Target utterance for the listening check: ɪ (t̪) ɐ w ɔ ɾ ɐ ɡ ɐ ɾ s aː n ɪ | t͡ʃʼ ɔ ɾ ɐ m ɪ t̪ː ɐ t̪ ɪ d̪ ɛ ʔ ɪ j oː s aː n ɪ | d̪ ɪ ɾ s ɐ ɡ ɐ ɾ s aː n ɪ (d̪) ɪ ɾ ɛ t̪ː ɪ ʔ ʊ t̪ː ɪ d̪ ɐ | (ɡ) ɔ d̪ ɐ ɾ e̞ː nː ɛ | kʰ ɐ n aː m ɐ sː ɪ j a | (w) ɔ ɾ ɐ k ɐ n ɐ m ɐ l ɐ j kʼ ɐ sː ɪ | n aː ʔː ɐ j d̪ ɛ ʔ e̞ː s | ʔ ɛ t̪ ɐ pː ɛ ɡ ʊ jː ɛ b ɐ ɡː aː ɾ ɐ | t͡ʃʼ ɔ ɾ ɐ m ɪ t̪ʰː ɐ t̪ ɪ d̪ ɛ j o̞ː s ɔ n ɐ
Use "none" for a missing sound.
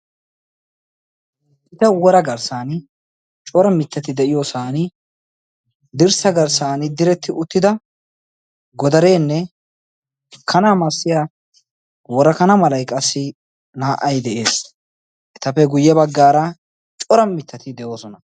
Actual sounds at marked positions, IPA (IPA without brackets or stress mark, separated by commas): t̪, d̪, ɡ, w